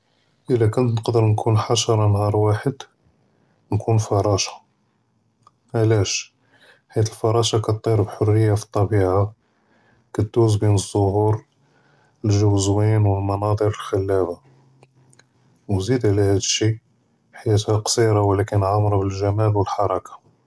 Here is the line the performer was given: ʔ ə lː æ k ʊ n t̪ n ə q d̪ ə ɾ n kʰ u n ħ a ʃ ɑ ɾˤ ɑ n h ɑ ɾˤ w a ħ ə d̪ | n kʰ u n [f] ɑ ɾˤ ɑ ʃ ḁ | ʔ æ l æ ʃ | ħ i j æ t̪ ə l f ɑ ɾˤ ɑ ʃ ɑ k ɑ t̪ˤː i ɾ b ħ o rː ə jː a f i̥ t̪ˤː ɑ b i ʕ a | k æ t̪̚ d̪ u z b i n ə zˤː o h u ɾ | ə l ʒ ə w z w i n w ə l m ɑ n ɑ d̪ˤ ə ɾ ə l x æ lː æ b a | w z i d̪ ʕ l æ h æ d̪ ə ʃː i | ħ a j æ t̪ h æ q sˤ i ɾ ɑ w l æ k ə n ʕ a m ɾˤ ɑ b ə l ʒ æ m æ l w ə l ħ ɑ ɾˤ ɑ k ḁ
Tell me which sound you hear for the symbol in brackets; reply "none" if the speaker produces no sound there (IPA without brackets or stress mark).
f